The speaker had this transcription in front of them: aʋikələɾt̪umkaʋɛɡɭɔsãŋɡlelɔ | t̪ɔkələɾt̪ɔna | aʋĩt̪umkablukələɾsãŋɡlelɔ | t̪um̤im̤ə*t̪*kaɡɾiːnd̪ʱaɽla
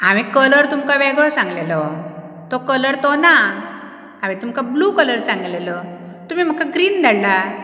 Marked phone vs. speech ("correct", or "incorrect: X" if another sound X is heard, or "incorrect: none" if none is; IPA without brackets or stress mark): incorrect: none